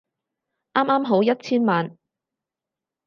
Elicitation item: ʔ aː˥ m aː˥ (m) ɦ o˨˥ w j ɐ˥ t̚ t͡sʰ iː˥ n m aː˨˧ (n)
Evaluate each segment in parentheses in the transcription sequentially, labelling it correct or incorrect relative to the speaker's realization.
correct, correct

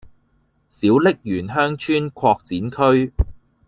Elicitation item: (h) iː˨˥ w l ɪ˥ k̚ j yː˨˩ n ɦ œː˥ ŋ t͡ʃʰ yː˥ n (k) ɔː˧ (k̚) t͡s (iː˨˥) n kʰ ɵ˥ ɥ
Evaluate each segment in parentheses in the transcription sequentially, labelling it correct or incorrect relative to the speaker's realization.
incorrect: s, incorrect: kʰ, correct, correct

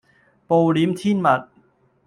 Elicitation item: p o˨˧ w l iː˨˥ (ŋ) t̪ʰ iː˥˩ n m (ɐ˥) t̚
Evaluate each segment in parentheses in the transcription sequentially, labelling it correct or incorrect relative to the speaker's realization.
incorrect: m, incorrect: ɐ˨˩

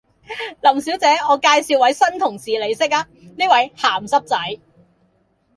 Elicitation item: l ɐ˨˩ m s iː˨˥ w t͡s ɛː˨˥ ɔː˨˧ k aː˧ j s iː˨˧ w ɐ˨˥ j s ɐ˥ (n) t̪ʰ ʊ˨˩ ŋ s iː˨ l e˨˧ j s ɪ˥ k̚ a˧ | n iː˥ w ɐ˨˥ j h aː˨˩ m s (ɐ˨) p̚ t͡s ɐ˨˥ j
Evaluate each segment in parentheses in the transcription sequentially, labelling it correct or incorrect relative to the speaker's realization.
correct, incorrect: ɐ˥

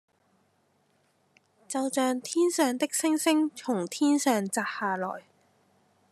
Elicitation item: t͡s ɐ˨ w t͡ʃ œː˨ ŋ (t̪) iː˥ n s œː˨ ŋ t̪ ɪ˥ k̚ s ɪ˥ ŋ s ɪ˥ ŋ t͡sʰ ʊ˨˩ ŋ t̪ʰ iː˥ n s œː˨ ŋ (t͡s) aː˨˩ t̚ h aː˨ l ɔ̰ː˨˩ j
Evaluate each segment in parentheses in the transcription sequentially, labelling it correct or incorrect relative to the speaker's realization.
incorrect: t̪ʰ, correct

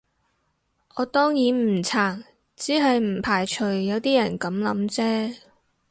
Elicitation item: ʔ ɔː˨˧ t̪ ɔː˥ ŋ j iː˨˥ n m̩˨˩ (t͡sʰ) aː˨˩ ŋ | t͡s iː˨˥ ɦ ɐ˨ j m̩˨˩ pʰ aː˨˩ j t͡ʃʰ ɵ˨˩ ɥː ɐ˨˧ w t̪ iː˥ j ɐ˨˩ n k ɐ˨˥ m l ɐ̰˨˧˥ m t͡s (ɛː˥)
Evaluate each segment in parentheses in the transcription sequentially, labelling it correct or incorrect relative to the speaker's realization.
correct, correct

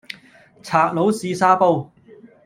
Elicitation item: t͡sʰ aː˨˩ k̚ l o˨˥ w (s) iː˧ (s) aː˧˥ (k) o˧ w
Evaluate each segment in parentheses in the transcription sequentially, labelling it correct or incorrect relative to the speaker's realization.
correct, correct, incorrect: p

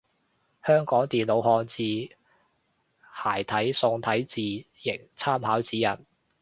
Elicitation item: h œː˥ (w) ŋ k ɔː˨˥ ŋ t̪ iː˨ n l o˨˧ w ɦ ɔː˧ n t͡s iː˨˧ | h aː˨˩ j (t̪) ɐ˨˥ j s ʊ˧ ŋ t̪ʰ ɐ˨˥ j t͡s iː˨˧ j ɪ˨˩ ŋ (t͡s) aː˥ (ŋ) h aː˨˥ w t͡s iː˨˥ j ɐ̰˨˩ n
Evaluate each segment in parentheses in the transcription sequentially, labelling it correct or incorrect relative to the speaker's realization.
incorrect: none, incorrect: t̪ʰ, incorrect: t͡sʰ, incorrect: m

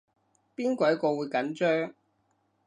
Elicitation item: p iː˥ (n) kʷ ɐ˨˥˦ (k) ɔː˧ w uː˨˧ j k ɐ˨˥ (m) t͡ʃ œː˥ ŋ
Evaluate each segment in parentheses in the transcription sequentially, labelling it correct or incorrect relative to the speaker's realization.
correct, correct, incorrect: n

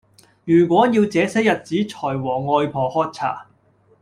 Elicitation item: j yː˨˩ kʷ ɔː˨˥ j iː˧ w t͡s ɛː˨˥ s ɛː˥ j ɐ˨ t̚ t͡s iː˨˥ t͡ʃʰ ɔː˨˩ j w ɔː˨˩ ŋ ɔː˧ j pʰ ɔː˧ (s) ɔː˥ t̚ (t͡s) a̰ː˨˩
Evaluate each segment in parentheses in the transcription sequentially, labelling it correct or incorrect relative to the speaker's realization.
incorrect: h, incorrect: t͡sʰ

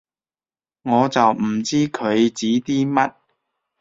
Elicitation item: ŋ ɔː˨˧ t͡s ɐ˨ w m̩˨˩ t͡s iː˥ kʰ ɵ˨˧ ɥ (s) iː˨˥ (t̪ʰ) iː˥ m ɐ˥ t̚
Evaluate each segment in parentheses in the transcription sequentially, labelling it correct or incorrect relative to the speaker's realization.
incorrect: t͡s, incorrect: t̪

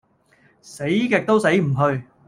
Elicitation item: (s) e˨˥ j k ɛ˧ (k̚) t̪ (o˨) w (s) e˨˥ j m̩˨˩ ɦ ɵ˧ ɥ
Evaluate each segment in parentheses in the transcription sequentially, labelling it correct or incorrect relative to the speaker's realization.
correct, correct, incorrect: o˥, correct

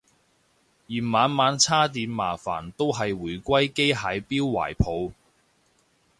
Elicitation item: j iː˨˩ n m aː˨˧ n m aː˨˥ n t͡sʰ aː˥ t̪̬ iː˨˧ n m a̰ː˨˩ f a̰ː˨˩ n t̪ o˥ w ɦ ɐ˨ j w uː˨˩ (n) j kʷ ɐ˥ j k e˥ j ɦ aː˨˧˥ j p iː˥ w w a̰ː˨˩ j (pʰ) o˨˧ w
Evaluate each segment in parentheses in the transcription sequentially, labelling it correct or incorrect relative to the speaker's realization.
incorrect: none, correct

